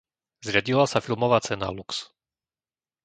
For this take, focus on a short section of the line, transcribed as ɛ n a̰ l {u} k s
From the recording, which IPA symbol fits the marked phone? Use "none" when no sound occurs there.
u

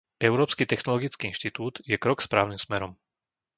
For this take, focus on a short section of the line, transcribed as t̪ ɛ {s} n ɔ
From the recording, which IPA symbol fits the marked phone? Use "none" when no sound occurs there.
x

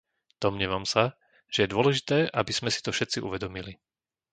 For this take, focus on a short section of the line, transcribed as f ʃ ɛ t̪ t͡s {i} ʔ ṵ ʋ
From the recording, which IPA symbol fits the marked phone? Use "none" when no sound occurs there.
i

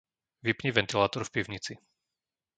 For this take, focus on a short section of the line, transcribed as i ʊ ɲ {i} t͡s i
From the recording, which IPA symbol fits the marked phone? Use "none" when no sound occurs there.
i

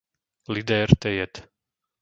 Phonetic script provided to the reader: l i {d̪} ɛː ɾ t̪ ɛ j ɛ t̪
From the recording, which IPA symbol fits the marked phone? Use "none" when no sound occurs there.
d̪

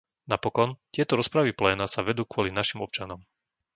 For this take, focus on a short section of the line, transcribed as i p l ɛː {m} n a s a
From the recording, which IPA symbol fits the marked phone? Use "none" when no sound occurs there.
none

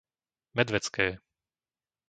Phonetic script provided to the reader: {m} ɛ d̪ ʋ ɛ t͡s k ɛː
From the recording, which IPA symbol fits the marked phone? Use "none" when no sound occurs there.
m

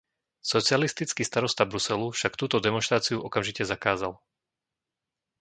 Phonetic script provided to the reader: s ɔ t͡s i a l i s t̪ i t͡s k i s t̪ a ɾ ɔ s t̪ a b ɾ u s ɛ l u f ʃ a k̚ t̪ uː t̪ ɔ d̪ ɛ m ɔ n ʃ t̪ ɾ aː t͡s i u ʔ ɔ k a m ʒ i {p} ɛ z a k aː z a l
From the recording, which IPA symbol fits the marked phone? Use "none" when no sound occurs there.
c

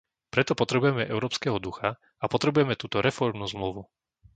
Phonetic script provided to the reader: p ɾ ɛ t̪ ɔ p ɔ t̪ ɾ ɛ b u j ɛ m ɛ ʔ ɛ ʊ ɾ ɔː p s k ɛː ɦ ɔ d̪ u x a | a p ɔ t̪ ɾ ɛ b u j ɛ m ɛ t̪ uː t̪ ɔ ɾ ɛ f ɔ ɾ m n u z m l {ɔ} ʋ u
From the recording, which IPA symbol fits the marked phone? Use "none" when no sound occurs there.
u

